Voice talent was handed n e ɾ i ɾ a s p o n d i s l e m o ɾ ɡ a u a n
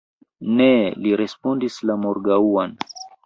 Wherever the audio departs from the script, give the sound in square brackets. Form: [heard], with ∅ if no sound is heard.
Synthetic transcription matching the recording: n e [l] i ɾ [e] s p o n d i s l [a] m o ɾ ɡ a u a n